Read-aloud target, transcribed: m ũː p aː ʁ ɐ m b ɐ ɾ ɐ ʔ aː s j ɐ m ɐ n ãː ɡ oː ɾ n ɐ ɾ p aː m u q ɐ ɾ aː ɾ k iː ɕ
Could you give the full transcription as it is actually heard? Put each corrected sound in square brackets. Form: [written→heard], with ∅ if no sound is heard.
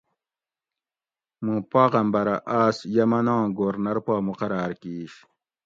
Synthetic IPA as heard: m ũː p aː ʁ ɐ m b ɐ ɾ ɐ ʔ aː s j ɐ m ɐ n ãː ɡ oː ɾ n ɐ ɾ p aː m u q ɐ ɾ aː ɾ k iː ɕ